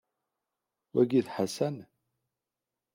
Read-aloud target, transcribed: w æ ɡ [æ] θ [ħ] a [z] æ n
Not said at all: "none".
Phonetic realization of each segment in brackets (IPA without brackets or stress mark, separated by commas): i, ħ, s